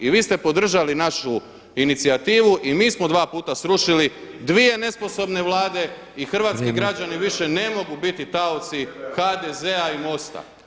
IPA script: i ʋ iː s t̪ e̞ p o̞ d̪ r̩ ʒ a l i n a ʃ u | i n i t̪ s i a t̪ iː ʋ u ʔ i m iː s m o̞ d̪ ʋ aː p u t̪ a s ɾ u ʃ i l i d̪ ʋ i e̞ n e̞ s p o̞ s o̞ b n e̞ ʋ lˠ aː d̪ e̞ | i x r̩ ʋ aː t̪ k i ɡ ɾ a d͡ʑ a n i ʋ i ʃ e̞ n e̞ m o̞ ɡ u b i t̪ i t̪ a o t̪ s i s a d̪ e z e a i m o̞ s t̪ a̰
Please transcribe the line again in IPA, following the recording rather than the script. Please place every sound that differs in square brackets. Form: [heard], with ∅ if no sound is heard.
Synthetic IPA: i ʋ iː s t̪ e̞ p o̞ d̪ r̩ ʒ a l i n a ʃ u | i n i t̪ s i a t̪ iː ʋ u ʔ i m iː s m o̞ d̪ ʋ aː p [uː] t̪ a s ɾ u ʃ i l i d̪ ʋ i e̞ n e̞ s p o̞ s o̞ b n e̞ ʋ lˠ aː d̪ e̞ | i x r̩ ʋ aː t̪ k i ɡ ɾ a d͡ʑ a n i ʋ i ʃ e̞ n e̞ m o̞ ɡ u b i t̪ i t̪ a o t̪ s i [x] a d̪ e z e a i m o̞ s t̪ a̰